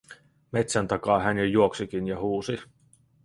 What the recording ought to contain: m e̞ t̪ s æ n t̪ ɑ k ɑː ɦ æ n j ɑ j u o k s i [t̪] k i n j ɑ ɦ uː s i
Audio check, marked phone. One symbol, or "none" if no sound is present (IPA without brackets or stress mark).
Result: none